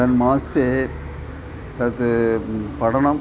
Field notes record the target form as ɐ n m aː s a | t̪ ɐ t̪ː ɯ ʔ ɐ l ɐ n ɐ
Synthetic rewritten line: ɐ n m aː s e | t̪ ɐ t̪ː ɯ p ɐ ɽ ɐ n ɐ